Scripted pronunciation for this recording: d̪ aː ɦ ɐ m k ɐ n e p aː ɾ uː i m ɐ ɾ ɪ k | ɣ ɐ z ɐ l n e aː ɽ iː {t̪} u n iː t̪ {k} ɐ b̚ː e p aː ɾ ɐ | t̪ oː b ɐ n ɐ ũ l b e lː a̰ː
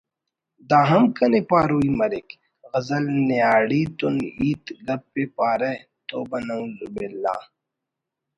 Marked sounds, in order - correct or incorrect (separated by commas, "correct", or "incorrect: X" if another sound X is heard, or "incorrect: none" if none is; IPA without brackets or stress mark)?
correct, incorrect: ɡ